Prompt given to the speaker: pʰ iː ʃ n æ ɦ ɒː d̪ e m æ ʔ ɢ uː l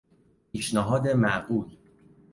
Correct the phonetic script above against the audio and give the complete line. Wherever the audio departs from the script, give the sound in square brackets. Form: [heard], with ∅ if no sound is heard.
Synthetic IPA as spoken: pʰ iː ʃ n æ ɦ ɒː d̪ e m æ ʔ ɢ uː l